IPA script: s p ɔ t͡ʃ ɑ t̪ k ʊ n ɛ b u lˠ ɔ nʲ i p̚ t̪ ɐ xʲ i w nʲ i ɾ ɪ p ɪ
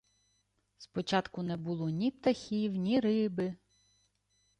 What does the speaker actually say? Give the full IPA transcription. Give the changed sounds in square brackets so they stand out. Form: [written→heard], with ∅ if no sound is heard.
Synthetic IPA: s p ɔ t͡ʃ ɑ t̪ k ʊ n ɛ b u lˠ ɔ nʲ i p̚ t̪ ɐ xʲ i w nʲ i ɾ ɪ [p→b] ɪ